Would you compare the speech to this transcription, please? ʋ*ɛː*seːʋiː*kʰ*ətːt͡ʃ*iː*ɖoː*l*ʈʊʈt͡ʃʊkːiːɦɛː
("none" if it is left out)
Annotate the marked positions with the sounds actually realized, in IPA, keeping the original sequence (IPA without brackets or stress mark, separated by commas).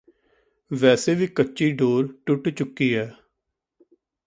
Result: ɛː, k, iː, ɾ